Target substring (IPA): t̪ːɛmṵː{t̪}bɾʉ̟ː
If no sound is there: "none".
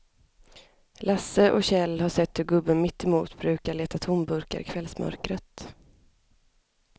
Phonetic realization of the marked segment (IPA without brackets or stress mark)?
t̪